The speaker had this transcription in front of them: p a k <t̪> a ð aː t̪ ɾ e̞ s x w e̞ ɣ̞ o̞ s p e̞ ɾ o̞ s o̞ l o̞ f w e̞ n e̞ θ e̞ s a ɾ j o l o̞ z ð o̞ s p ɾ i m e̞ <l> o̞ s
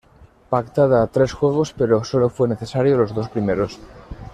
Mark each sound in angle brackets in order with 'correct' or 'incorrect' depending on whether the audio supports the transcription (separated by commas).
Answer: correct, incorrect